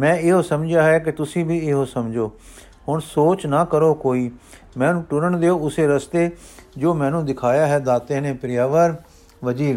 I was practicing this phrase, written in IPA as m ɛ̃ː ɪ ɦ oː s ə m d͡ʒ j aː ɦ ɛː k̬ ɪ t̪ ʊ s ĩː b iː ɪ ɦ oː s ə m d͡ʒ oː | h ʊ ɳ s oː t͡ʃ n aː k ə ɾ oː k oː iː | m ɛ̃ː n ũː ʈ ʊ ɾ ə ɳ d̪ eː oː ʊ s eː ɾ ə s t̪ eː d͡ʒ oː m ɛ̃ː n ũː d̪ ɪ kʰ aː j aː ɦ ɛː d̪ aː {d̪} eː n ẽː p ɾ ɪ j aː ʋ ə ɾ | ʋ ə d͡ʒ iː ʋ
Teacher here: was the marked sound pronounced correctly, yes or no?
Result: no